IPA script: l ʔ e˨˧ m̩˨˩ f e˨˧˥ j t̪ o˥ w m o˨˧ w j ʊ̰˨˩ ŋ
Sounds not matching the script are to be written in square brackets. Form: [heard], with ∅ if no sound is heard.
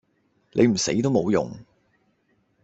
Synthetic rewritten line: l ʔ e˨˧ m̩˨˩ [s] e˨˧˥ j t̪ o˥ w m o˨˧ w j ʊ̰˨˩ ŋ